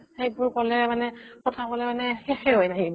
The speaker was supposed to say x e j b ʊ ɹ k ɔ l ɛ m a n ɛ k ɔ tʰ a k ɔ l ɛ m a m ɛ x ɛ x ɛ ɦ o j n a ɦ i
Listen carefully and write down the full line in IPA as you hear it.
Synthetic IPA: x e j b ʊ ɹ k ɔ l ɛ m a n ɛ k ɔ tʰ a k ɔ l ɛ m a n ɛ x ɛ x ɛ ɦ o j n a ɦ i